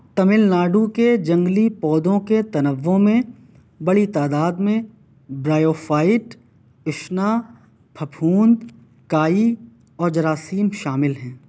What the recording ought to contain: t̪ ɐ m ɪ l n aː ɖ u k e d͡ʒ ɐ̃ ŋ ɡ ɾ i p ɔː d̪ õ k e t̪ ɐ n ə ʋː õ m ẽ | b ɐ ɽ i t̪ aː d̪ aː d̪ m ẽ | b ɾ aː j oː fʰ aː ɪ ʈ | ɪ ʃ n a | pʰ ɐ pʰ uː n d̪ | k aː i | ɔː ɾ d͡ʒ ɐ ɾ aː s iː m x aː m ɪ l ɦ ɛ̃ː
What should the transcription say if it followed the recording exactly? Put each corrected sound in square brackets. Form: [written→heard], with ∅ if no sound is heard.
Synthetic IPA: t̪ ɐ m ɪ l n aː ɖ u k e d͡ʒ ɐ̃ ŋ ɡ [ɾ→l] i p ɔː d̪ õ k e t̪ ɐ n ə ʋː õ m ẽ | b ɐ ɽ i t̪ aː d̪ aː d̪ m ẽ | b ɾ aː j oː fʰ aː ɪ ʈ | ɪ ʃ n a | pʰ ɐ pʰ uː n d̪ | k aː i | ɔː ɾ d͡ʒ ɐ ɾ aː s iː m [x→ʃ] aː m ɪ l ɦ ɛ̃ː